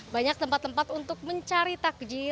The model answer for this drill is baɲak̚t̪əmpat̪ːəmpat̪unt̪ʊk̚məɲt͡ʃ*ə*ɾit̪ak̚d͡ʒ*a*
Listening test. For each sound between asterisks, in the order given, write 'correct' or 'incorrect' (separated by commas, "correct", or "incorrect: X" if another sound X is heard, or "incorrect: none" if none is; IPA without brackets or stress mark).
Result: incorrect: a, incorrect: i